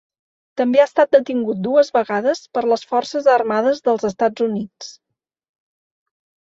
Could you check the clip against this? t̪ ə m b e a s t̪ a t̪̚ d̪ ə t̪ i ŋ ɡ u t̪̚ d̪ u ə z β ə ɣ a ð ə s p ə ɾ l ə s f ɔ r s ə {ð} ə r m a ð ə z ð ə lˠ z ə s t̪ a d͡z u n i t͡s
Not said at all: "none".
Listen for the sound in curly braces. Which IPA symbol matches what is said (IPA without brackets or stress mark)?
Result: z